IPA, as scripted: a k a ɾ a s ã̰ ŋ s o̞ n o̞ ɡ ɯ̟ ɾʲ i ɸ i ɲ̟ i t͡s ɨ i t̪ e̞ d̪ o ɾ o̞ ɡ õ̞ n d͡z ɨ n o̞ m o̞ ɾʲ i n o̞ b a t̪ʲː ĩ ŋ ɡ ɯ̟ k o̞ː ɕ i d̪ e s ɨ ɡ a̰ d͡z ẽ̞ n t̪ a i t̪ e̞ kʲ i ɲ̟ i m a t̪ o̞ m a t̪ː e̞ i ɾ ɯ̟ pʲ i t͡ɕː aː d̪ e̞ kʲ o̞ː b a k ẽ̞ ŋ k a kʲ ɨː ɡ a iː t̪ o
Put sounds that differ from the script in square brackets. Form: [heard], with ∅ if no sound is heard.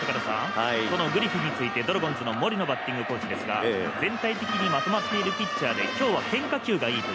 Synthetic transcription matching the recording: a k a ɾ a s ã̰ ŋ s o̞ n o̞ ɡ ɯ̟ ɾʲ i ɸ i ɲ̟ i t͡s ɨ i t̪ e̞ d̪ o ɾ o̞ ɡ õ̞ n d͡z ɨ n o̞ m o̞ ɾʲ i n o̞ b a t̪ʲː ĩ ŋ ɡ ɯ̟ k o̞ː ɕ i d̪ e s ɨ ɡ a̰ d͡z ẽ̞ n t̪ a i t̪ e̞ kʲ i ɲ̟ i m a t̪ o̞ m a t̪ː e̞ i ɾ ɯ̟ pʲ i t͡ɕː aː d̪ e̞ kʲ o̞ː [β] a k ẽ̞ ŋ k a kʲ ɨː ɡ a iː t̪ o